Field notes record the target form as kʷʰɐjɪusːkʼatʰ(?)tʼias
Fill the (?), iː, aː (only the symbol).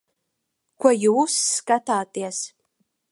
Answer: aː